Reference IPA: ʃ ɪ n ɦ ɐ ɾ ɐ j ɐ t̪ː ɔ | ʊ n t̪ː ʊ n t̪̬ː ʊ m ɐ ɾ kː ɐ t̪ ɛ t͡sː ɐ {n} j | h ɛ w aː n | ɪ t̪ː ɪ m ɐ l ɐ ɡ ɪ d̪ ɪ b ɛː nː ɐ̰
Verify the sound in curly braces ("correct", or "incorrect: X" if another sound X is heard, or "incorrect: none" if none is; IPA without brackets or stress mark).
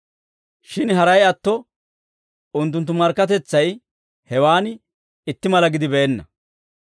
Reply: incorrect: none